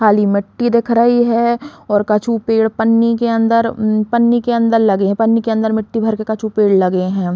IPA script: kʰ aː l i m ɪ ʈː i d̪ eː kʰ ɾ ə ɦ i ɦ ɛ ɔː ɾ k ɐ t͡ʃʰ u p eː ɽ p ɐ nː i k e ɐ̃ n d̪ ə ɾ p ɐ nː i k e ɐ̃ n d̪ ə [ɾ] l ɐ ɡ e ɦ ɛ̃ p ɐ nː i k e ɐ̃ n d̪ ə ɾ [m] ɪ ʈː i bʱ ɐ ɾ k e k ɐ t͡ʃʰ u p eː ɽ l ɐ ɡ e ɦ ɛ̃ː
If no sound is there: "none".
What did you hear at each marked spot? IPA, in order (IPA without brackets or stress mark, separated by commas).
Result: ɾ, m